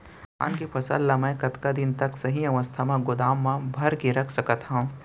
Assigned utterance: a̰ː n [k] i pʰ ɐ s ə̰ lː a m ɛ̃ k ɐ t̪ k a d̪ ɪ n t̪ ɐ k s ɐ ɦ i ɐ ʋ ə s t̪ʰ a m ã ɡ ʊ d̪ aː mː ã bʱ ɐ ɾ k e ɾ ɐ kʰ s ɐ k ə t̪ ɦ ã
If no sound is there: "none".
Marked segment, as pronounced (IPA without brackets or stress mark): k